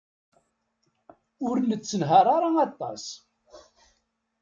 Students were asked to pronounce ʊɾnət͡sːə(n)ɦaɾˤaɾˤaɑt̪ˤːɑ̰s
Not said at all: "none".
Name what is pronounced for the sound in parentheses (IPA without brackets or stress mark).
n